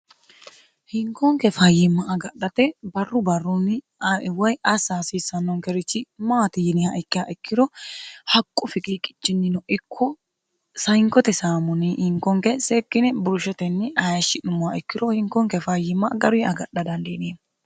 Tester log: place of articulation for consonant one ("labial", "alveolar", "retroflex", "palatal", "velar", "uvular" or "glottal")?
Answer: glottal